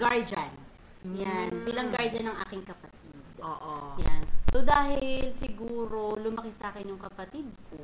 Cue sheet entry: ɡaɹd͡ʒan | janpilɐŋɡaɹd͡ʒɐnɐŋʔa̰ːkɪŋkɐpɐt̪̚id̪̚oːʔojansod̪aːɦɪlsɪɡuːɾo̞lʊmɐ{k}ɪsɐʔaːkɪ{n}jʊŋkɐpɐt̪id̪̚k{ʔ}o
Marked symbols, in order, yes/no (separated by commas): yes, yes, no